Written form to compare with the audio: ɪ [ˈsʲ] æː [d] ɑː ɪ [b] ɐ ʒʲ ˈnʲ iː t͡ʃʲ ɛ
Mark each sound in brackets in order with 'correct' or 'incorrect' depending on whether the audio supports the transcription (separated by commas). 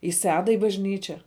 correct, correct, correct